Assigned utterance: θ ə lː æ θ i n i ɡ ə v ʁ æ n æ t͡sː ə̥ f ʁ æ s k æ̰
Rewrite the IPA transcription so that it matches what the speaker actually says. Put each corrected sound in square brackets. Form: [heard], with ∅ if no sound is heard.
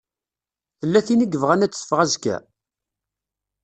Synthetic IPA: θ ə lː æ θ i n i ɡ ə v ʁ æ n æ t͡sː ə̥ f ʁ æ [z] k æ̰